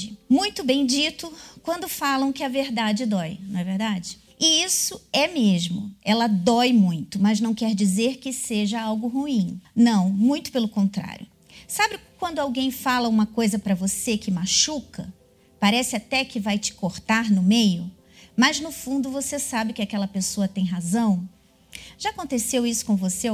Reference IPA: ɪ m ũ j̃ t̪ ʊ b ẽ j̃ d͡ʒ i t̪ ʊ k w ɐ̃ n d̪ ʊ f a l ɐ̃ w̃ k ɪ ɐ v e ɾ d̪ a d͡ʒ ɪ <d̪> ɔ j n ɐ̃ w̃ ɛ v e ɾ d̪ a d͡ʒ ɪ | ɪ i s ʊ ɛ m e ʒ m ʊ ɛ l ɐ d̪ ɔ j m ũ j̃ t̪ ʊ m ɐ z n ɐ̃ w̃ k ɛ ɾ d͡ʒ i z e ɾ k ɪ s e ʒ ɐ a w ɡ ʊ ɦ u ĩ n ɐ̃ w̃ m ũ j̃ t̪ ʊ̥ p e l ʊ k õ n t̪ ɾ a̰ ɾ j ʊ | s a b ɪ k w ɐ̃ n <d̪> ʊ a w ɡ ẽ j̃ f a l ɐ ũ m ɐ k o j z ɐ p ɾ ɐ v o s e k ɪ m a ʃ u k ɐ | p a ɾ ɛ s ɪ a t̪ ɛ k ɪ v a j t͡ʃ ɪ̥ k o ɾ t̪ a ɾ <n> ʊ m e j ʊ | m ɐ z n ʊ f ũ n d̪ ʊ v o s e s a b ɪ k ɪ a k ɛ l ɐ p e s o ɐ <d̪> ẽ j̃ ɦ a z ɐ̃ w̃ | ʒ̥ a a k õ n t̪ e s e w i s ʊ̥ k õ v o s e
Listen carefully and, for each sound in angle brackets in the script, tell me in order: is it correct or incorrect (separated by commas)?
correct, correct, correct, incorrect